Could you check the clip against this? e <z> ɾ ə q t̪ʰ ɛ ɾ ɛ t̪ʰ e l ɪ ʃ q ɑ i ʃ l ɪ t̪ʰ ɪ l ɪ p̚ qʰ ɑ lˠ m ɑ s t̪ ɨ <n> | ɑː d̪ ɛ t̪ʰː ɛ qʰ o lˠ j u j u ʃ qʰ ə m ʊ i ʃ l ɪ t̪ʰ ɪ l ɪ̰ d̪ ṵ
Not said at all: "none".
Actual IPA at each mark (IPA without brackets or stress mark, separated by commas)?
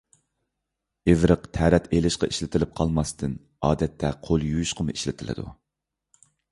v, n